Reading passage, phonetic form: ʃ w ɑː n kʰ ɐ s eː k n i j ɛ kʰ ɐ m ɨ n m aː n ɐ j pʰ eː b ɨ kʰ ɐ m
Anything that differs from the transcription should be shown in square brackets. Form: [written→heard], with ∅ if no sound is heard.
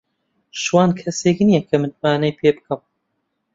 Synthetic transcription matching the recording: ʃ w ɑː n kʰ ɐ s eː k n i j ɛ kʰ ɐ m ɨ n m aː n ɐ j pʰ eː b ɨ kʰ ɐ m